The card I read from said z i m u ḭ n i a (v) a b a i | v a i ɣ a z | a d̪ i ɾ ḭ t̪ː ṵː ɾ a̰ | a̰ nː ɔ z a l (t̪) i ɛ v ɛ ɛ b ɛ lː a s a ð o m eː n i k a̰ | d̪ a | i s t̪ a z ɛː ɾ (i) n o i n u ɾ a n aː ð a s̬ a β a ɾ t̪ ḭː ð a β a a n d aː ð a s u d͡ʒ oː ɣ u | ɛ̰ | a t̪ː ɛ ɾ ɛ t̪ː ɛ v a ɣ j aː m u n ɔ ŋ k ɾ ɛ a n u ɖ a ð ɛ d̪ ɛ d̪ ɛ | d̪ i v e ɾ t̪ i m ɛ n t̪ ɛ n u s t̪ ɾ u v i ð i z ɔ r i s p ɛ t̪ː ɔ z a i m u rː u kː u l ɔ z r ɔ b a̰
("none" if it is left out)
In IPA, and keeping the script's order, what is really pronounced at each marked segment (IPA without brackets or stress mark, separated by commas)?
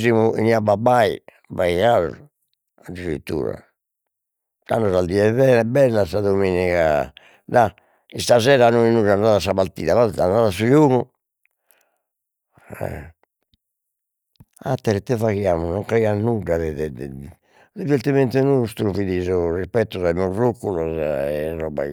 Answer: b, d̪, a